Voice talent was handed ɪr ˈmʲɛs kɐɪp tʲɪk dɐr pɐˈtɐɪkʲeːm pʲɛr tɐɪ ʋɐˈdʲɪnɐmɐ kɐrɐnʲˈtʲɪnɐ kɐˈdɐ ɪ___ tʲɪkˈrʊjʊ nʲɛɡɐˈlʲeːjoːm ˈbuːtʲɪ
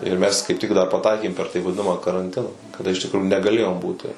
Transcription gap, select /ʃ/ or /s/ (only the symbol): ʃ